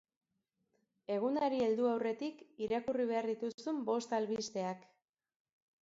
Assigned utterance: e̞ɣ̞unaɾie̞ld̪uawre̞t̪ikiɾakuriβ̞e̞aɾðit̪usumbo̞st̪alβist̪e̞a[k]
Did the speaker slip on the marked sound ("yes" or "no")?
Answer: no